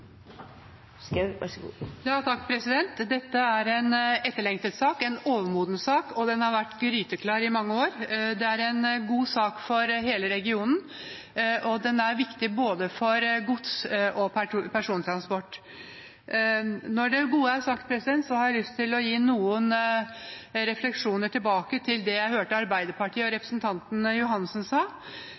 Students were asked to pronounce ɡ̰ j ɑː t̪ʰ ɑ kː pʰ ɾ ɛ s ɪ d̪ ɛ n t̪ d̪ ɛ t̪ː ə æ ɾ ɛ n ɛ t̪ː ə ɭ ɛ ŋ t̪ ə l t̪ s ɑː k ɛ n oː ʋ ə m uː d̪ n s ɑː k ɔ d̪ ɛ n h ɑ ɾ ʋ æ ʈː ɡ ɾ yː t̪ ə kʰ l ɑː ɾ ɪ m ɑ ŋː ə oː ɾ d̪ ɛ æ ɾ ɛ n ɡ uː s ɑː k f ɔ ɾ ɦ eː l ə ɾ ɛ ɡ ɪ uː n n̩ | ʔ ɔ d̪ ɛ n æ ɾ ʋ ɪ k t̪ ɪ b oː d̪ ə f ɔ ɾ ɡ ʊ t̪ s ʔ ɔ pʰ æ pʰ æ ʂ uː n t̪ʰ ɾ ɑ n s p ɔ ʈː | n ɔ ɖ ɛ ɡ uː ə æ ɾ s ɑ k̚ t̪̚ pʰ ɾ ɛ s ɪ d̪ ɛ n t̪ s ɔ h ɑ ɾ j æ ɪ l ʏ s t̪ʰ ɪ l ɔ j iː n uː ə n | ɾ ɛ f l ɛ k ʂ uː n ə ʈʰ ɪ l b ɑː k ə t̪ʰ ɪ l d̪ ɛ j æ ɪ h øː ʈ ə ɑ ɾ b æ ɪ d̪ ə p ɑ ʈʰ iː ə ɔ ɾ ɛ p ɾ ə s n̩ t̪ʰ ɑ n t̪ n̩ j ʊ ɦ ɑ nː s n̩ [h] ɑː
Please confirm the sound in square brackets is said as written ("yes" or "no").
no